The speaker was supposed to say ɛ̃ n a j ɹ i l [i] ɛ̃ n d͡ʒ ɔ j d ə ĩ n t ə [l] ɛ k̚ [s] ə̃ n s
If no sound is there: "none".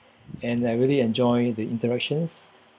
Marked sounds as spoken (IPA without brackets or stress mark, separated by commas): i, ɹ, ʃ